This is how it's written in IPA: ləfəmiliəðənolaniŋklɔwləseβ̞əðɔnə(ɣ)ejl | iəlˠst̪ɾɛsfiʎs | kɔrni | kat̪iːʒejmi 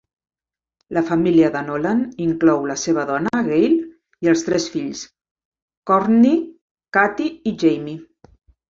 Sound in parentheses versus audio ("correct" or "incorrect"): correct